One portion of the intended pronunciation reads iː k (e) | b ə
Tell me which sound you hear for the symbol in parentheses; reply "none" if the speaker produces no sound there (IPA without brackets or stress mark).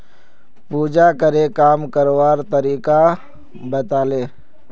a